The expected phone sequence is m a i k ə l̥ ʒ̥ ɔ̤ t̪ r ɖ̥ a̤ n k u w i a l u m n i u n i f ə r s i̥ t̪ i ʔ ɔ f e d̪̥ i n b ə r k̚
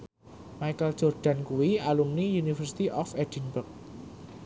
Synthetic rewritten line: m a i k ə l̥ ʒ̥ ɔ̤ r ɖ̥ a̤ n k u w i a l u m n i u n i f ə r s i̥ t̪ i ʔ ɔ f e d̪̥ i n b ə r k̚